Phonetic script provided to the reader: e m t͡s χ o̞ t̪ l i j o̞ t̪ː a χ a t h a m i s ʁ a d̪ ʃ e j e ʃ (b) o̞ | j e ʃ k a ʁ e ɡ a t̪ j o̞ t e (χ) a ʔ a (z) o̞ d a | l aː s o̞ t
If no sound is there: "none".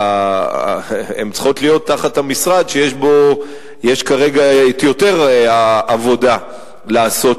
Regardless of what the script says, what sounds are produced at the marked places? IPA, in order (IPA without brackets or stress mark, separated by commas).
b, ʁ, v